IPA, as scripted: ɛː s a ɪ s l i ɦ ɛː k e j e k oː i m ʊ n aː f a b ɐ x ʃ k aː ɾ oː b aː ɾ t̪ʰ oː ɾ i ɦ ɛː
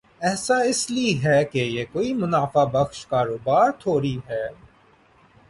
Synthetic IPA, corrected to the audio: ɛː s a ɪ s l i ɦ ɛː k e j e k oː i m ʊ n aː f a b ɐ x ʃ k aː ɾ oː b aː ɾ t̪ʰ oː ɾ i ɦ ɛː